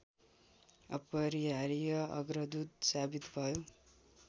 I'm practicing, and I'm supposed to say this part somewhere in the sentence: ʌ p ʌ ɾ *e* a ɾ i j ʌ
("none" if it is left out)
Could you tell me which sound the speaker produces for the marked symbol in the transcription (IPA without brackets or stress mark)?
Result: i